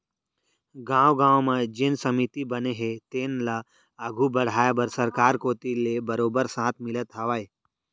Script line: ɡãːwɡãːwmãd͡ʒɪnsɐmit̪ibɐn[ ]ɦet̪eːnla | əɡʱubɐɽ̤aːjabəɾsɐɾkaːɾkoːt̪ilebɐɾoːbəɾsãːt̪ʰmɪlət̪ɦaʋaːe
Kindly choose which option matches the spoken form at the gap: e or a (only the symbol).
e